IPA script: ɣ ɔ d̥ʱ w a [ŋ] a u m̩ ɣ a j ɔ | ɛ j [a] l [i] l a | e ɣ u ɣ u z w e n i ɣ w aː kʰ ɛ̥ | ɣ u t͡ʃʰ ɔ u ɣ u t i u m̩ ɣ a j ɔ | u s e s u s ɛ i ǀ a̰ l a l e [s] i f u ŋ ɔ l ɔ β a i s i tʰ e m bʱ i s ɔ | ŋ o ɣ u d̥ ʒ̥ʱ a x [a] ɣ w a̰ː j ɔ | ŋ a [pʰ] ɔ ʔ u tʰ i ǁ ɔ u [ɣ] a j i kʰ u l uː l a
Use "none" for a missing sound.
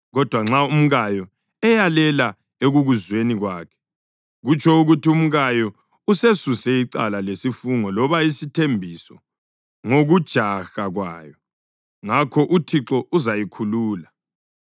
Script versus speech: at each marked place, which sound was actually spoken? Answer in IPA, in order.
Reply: ŋ͡ǁ, a, ɛ, s, a, kʰ, z

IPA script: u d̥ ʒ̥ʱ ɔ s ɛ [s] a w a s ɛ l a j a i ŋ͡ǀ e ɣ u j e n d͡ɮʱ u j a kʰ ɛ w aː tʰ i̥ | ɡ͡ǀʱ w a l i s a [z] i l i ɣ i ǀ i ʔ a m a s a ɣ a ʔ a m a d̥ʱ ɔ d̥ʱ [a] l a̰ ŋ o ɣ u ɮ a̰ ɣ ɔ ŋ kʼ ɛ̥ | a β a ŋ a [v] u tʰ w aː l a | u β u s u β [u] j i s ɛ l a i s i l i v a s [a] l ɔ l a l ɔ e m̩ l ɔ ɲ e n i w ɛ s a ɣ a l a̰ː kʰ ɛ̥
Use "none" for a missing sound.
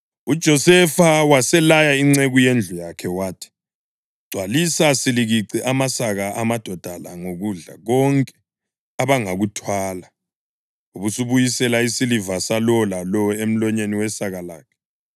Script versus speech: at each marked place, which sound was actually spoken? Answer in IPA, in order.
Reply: f, s, a, ɣ, u, a

